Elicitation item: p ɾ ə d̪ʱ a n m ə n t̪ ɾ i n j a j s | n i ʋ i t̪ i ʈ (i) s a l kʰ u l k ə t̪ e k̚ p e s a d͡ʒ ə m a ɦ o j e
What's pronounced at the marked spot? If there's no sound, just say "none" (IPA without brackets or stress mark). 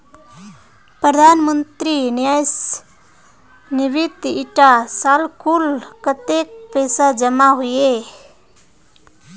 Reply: a